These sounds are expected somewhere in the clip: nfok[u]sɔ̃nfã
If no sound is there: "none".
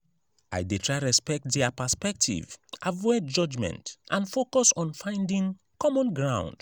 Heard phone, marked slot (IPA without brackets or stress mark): ɔ